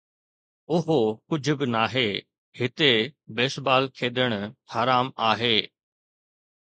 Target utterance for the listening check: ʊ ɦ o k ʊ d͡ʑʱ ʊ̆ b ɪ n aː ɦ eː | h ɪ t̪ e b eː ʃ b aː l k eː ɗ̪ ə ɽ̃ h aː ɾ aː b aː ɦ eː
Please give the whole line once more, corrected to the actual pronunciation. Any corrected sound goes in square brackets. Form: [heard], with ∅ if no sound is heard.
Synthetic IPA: ʊ ɦ o k ʊ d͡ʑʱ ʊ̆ b ɪ n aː ɦ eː | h ɪ t̪ e b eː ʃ b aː l [kʰ] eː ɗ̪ ə ɽ̃ h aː ɾ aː [m] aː ɦ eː